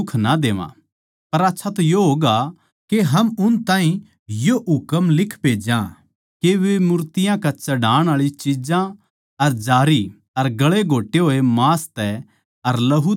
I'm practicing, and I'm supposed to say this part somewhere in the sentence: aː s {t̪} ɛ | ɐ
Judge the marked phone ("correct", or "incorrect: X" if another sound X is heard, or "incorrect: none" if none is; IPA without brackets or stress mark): correct